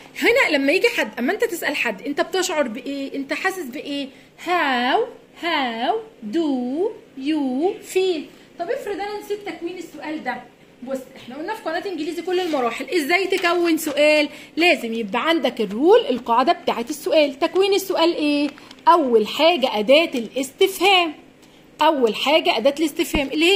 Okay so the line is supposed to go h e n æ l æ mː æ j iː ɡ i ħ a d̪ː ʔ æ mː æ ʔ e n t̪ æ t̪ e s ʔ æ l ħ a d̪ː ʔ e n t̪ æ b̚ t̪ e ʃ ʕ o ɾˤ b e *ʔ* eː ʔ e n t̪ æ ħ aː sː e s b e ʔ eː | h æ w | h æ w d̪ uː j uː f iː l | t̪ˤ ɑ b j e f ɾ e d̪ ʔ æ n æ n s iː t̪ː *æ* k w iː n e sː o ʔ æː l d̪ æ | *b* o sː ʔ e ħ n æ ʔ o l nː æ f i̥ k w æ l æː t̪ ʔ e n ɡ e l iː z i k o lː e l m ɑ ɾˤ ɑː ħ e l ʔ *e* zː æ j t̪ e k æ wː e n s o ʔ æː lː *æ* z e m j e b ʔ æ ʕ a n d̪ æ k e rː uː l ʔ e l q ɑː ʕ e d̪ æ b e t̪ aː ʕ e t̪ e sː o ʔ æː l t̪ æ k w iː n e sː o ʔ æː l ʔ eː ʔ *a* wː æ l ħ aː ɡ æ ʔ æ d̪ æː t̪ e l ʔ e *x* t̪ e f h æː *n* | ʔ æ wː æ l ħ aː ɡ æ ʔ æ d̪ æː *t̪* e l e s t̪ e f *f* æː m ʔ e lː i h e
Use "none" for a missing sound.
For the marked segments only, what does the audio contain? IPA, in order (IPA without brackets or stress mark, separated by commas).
ʔ, æ, b, e, æː, æ, s, m, t̪, h